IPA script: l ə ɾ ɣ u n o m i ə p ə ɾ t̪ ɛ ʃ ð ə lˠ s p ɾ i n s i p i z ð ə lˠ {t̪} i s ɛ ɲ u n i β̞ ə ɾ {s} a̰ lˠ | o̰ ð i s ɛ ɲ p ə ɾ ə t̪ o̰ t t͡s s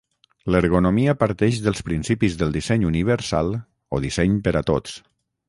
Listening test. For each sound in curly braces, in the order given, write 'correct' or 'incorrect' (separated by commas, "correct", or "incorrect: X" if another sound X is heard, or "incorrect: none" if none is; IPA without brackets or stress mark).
incorrect: d̪, correct